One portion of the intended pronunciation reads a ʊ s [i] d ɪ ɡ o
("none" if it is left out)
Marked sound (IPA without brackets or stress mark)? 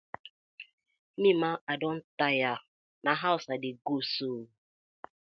a